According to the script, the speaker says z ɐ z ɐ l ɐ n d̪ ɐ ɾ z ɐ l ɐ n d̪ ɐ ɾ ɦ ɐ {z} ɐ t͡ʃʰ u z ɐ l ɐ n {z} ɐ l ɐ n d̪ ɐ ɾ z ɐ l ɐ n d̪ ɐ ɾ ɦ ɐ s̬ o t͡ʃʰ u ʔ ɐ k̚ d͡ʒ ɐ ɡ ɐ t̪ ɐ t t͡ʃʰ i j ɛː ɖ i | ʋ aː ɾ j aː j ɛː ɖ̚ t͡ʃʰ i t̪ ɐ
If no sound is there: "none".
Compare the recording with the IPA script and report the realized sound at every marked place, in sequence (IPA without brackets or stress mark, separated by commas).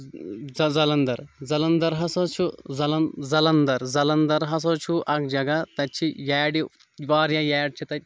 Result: s, z